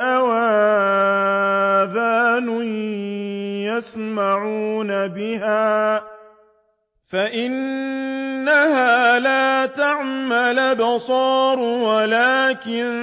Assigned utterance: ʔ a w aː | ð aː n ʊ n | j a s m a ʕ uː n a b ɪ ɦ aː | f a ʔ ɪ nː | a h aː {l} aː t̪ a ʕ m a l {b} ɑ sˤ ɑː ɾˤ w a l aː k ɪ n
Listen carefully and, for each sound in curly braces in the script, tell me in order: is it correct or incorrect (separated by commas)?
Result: correct, correct